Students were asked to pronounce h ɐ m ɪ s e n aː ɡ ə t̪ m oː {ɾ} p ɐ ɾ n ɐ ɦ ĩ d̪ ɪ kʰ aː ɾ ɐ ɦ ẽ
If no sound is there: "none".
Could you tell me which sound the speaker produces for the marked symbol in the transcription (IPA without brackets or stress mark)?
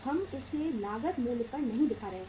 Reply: l